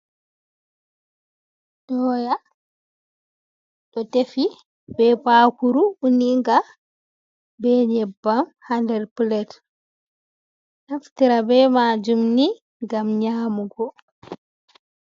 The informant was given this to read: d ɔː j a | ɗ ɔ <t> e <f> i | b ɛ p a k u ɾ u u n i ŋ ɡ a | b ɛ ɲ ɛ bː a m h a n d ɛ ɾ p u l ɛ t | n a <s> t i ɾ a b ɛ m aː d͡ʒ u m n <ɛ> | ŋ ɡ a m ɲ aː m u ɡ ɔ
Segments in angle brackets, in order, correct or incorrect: correct, correct, incorrect: f, incorrect: i

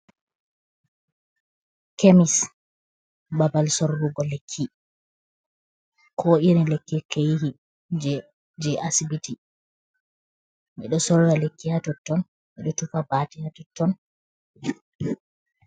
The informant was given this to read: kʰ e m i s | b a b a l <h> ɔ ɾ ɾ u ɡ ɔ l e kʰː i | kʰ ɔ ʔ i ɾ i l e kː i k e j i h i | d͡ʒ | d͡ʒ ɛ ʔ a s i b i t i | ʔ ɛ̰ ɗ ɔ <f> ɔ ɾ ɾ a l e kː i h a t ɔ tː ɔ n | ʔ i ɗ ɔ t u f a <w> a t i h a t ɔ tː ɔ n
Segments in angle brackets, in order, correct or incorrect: incorrect: s, incorrect: s, incorrect: b

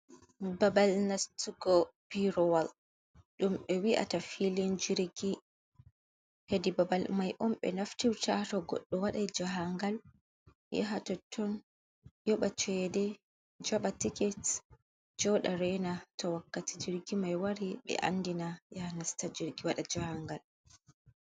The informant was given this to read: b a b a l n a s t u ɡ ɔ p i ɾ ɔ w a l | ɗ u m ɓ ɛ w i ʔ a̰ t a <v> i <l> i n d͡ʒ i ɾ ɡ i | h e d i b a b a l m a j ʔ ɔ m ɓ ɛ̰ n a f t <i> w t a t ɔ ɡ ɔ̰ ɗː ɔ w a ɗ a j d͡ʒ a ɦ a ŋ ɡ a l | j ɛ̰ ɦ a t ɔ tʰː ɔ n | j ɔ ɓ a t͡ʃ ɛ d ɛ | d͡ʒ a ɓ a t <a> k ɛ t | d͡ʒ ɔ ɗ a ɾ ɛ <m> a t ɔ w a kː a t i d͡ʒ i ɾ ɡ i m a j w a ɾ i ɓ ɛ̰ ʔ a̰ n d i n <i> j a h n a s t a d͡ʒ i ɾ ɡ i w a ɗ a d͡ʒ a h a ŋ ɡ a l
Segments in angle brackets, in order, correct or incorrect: incorrect: f, correct, correct, incorrect: i, incorrect: n, incorrect: a

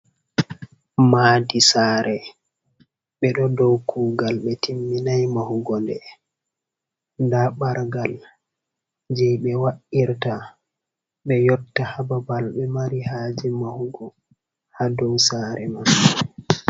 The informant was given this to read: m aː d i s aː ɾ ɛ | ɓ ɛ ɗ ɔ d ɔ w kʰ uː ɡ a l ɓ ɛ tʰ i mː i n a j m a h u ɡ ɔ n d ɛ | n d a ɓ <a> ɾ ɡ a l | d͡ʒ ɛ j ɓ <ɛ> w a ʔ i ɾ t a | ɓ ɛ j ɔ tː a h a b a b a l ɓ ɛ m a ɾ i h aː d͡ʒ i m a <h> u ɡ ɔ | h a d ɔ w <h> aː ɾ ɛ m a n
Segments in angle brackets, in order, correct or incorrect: correct, correct, correct, incorrect: s

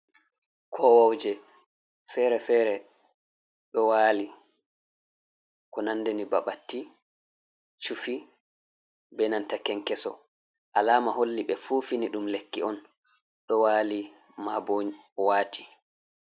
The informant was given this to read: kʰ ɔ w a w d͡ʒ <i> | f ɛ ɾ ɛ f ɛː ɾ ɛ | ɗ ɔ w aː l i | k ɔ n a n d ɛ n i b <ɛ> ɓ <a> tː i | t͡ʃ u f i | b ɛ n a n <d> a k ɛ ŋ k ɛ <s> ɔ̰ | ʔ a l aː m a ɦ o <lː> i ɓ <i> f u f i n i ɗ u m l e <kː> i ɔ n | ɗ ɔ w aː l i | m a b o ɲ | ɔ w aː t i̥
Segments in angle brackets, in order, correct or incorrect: incorrect: ɛ, incorrect: a, correct, incorrect: t, correct, correct, incorrect: ɛ, correct

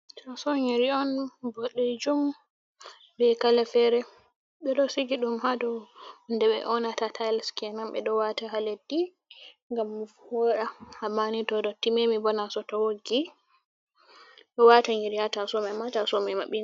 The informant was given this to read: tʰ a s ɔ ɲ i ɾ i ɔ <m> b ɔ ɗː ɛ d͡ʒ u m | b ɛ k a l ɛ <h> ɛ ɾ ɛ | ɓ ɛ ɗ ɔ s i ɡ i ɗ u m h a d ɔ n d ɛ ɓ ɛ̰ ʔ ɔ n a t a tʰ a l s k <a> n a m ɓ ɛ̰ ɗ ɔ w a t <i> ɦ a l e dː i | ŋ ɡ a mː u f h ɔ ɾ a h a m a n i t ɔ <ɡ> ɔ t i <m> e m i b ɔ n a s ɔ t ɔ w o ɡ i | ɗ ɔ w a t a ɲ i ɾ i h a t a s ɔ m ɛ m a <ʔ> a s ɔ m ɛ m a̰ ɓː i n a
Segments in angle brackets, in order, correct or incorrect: incorrect: n, incorrect: f, incorrect: ɛ, incorrect: a, incorrect: d, correct, incorrect: t

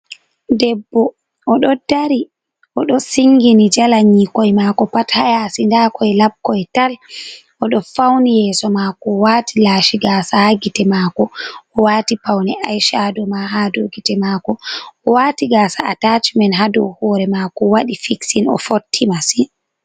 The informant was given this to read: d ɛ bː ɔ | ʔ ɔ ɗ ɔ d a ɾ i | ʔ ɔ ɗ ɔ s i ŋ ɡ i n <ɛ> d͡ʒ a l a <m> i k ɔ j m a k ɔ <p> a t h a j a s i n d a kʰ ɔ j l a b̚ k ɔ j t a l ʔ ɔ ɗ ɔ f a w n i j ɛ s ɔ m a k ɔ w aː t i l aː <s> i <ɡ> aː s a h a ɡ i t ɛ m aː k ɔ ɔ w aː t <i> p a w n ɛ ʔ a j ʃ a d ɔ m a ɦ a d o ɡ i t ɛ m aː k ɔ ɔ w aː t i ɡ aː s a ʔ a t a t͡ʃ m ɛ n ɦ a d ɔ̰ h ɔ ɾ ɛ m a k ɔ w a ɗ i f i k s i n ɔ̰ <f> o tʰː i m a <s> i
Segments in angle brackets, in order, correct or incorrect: incorrect: i, incorrect: ɲ, correct, incorrect: ʃ, correct, correct, correct, correct

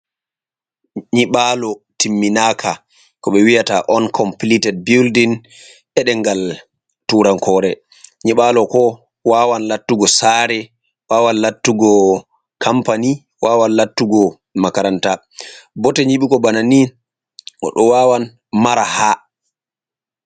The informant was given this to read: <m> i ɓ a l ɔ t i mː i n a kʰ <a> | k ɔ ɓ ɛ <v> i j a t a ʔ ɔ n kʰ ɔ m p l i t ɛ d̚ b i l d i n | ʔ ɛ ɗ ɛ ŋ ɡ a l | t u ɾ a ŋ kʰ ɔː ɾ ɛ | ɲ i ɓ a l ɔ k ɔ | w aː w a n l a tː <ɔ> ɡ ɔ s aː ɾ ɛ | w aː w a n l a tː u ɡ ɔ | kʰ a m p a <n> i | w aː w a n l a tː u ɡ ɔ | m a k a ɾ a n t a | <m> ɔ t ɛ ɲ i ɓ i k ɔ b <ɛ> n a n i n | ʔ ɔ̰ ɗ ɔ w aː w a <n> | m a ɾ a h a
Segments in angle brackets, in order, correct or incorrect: incorrect: ɲ, correct, incorrect: w, incorrect: u, correct, incorrect: b, incorrect: a, correct

